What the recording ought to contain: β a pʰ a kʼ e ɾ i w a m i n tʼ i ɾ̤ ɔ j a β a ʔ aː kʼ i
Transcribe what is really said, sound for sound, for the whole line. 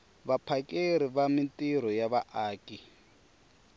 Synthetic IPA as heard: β a pʰ a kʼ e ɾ i β a m i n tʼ i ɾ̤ ɔ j a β a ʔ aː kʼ i